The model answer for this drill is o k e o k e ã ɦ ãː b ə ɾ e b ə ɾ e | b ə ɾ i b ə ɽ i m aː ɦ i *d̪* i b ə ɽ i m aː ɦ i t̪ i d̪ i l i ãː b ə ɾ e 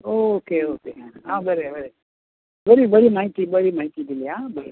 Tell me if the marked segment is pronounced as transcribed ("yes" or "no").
no